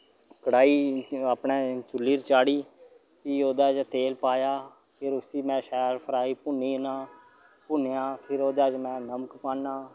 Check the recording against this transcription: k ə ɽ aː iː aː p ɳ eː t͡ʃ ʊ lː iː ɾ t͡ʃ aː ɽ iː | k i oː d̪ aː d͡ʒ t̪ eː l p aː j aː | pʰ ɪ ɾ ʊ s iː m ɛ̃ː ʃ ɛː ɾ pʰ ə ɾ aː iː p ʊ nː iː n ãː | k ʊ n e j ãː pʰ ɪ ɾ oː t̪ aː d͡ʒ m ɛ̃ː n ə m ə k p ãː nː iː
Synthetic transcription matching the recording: k ə ɽ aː iː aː p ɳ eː t͡ʃ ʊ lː iː ɾ t͡ʃ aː ɽ iː | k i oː d̪ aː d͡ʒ t̪ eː l p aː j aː | pʰ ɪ ɾ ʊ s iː m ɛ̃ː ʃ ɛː ɾ pʰ ə ɾ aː iː p ʊ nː iː n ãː | p ʊ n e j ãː pʰ ɪ ɾ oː d̪ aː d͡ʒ m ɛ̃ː n ə m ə k p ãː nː aː